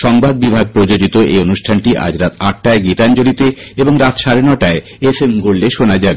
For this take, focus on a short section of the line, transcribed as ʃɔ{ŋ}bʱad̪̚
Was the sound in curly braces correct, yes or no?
yes